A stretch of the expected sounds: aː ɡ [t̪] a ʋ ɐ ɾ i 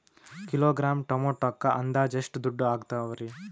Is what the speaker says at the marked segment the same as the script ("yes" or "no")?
yes